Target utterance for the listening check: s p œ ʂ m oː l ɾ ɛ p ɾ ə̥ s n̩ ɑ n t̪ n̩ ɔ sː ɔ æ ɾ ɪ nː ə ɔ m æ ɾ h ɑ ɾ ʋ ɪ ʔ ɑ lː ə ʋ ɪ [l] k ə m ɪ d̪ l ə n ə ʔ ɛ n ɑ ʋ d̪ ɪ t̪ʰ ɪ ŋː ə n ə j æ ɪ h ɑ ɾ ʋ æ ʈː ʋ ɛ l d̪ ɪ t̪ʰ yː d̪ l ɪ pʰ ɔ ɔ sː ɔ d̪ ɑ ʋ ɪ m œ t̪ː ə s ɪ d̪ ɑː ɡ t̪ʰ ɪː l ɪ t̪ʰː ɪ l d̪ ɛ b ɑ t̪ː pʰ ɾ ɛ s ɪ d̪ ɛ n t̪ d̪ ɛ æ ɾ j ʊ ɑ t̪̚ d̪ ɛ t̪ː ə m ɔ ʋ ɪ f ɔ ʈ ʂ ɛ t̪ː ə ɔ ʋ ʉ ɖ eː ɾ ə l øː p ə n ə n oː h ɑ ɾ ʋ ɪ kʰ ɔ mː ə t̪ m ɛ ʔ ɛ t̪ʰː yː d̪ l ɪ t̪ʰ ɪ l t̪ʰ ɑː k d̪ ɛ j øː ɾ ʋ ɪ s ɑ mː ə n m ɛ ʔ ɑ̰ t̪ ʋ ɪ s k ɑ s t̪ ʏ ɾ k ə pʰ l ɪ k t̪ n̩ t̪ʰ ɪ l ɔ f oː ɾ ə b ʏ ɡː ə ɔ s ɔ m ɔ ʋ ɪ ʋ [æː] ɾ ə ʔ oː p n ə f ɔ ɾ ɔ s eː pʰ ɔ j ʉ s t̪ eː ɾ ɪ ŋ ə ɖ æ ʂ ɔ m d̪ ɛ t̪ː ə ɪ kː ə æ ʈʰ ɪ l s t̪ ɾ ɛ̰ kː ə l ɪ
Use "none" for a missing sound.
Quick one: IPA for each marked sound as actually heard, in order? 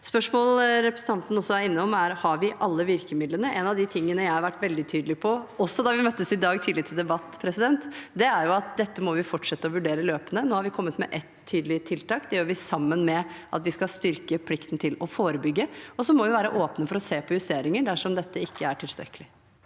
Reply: ɾ, æː

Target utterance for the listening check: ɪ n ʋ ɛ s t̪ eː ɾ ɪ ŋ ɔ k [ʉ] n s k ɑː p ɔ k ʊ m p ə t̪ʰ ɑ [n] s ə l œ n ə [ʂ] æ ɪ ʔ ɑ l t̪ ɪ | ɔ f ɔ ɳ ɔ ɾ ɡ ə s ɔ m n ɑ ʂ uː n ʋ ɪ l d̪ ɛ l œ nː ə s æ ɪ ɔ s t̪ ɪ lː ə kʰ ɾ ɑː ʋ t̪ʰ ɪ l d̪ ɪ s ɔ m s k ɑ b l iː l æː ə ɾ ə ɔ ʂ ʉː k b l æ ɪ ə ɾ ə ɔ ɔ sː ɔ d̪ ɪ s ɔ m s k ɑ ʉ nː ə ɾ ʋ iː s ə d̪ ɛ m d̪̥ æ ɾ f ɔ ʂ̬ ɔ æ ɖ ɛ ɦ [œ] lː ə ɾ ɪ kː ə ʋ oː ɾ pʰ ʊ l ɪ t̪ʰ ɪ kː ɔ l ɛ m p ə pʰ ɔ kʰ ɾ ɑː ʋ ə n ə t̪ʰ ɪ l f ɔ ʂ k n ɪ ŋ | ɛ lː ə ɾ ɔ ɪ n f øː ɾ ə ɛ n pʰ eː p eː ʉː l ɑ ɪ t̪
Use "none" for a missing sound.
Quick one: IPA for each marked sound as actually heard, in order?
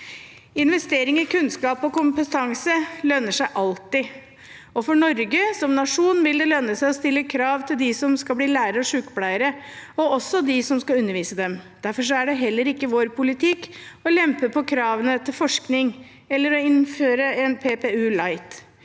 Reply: ʉ, ŋ, ʂ, ɛ

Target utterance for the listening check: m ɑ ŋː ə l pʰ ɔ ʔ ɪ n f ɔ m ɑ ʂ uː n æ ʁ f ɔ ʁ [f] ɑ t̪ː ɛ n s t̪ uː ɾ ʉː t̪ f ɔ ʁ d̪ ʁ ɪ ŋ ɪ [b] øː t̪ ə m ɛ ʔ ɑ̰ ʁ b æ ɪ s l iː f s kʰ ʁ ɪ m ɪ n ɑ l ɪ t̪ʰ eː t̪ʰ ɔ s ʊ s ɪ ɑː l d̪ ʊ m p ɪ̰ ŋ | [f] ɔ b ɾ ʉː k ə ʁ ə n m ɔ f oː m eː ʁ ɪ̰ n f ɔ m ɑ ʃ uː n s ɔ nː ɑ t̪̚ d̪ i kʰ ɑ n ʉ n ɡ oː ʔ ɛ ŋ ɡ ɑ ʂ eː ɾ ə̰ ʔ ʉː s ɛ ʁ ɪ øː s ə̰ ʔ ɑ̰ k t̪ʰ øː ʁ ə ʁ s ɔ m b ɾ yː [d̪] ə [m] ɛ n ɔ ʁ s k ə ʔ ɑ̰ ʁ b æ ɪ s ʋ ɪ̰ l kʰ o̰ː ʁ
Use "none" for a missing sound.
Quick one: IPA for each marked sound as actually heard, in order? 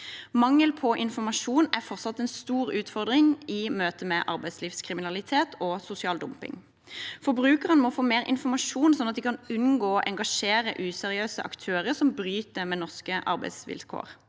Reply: s, m, f, t̪, m

